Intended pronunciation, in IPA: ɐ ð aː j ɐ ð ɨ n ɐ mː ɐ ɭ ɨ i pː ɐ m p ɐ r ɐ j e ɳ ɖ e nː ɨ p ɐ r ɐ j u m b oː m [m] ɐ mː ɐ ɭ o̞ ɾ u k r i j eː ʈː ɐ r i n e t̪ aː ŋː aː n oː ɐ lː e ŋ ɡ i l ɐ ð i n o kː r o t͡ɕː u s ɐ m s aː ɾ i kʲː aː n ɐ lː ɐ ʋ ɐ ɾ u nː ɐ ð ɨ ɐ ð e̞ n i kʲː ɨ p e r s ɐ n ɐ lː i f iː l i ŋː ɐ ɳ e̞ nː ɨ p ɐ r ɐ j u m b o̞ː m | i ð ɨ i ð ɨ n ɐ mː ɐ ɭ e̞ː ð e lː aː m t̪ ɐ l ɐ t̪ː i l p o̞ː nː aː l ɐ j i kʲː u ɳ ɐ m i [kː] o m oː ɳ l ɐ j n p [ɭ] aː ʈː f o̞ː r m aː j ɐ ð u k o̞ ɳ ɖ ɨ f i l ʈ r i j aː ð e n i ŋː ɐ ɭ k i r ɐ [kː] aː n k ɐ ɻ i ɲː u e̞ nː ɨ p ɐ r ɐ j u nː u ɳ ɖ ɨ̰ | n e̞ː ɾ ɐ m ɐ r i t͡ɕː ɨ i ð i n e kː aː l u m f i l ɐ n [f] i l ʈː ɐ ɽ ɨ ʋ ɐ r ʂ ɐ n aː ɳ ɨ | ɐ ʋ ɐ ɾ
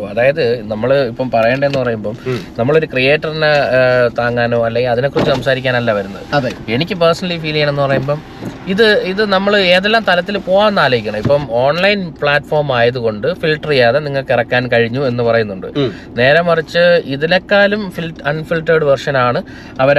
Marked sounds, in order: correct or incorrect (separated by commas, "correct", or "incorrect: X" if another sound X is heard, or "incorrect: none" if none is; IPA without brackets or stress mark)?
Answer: incorrect: n, incorrect: pː, correct, correct, correct